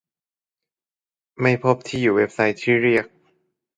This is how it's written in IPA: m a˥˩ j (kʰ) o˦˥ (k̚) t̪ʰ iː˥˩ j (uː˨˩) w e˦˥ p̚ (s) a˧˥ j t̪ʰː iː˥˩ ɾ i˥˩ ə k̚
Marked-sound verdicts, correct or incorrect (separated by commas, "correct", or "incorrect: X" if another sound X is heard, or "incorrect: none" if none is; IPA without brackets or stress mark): incorrect: pʰ, incorrect: p̚, correct, correct